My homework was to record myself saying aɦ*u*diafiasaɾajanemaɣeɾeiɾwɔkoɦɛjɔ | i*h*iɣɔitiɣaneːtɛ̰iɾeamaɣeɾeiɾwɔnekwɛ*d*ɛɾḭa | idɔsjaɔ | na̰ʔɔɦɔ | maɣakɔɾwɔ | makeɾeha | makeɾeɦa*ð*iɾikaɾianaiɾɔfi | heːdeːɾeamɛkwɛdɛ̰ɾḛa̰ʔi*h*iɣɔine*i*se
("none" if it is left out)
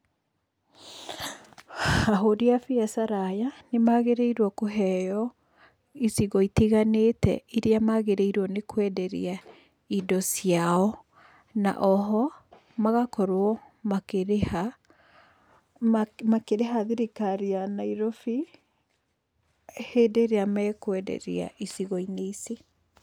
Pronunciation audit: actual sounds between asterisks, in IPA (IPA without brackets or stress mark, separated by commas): o, s, d, ð, s, i